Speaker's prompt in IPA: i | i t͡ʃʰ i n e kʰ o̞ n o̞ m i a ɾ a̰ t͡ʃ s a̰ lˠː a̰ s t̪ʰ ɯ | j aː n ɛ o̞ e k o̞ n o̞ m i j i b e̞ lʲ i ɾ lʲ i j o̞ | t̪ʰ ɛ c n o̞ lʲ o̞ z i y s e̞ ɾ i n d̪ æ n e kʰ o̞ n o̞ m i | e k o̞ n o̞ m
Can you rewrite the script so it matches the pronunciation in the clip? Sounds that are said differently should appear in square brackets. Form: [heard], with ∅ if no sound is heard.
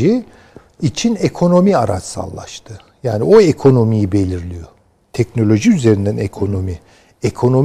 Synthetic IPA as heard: i | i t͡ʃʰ i n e kʰ o̞ n o̞ m i a ɾ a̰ t͡ʃ s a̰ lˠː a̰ [ʃ] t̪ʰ ɯ | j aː n [i] o̞ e [kʰ] o̞ n o̞ m i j i b e̞ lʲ i ɾ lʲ i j o̞ | t̪ʰ ɛ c n o̞ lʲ o̞ [ʒ] i y [z] e̞ ɾ i n d̪ æ n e kʰ o̞ n o̞ m i | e [kʰ] o̞ n o̞ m